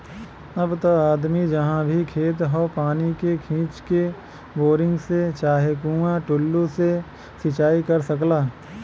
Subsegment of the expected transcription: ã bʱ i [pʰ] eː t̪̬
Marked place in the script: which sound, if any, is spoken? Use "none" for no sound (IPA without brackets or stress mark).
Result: kʰ